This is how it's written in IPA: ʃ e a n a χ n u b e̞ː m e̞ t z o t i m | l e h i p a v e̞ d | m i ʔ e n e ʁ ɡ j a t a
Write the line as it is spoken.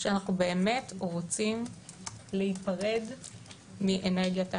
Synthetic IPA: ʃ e a n a χ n u b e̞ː m e̞ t ʁ o t͡s i m | l e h i p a ʁ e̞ d | m i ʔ e n e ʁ ɡ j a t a